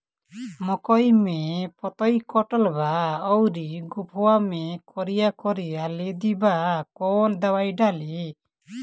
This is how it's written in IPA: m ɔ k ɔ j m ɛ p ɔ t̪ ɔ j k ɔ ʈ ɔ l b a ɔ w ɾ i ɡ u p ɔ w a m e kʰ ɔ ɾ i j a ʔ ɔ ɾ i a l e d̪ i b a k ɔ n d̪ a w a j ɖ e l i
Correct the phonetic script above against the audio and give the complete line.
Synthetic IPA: m ɔ k ɔ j m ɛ p ɔ t̪ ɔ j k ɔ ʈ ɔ l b a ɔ w ɾ i ɡ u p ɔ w a m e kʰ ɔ ɾ i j a k ɔ ɾ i a l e d̪ i b a k ɔ n d̪ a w a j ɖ a l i